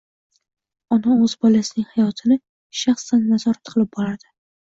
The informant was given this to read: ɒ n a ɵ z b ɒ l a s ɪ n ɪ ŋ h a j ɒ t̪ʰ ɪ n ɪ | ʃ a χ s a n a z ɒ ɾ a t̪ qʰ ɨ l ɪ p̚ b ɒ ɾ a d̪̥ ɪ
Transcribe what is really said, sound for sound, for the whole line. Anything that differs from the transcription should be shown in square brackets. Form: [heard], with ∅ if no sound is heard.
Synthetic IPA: ɒ n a ɵ z b ɒ l a s ɪ n ɪ ŋ h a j ɒ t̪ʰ ɪ n ɪ | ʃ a χ s a [nː] a z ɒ ɾ a t̪ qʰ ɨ l ɪ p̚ b ɒ ɾ a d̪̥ ɪ

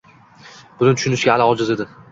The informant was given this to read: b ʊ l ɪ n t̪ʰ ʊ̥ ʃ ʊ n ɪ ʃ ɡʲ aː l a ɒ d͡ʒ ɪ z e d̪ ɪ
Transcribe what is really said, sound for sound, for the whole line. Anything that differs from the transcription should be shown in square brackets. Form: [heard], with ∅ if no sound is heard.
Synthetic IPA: b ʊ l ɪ n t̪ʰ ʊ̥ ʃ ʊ n ɪ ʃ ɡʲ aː l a ɒ d͡ʒ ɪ z e d̪ ɪ

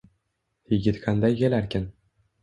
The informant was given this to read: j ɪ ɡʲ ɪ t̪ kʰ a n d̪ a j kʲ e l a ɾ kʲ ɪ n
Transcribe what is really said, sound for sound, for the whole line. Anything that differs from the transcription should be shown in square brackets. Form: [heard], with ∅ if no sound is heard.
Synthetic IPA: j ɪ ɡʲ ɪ t̪ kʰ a n d̪ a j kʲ e l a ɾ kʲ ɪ n

